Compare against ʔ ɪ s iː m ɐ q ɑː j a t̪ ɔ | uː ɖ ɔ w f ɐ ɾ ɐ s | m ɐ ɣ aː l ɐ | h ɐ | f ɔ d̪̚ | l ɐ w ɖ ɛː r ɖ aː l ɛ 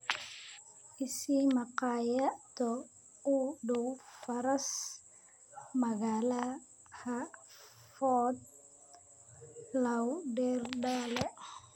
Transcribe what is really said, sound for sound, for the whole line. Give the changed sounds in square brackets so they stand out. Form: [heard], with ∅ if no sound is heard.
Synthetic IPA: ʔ ɪ s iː m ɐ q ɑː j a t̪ ɔ | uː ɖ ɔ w f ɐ ɾ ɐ s | m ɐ ɣ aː l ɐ | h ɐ | f ɔ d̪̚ | l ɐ w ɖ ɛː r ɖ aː l ɛ